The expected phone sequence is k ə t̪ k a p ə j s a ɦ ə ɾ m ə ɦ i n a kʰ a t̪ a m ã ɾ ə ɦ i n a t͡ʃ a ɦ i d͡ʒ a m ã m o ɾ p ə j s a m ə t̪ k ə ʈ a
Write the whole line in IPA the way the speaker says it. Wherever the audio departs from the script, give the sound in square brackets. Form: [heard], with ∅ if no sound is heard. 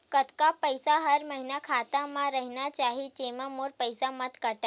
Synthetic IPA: k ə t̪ k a p ə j s a ɦ ə ɾ m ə ɦ i n a kʰ a t̪ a m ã ɾ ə ɦ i n a t͡ʃ a ɦ i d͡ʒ [e] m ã m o ɾ p ə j s a m ə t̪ k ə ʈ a